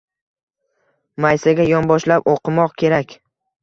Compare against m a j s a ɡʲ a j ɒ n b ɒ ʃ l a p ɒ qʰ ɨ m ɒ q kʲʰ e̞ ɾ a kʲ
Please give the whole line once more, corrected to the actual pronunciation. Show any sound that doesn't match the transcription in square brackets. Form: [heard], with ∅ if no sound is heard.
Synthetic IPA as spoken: m a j s a ɡʲ a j ɒ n b ɒ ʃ l a p [o] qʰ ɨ m ɒ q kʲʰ e̞ ɾ a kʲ